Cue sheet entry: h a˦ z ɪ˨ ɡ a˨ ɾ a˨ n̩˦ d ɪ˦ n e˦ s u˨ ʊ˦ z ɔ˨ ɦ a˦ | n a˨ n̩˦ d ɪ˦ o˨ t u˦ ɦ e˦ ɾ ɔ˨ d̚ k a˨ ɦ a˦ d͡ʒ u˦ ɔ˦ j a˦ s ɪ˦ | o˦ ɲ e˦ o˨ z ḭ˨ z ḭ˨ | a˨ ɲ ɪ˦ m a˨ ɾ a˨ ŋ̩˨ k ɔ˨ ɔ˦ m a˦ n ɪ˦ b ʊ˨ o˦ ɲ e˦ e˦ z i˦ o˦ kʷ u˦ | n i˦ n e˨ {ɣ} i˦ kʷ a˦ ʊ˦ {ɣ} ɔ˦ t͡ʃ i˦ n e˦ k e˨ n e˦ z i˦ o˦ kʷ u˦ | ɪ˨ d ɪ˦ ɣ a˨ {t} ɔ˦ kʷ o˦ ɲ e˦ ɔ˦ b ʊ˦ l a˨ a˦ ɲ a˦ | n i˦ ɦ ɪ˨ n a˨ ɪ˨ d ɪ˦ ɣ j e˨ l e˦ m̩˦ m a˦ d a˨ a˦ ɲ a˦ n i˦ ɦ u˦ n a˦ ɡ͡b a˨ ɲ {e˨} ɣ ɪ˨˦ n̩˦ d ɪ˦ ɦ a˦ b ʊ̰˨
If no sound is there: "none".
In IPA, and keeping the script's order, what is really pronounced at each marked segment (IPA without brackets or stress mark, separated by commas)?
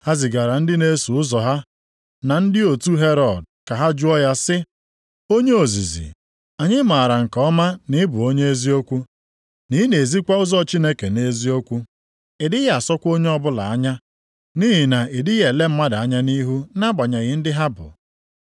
z, z, s, a˨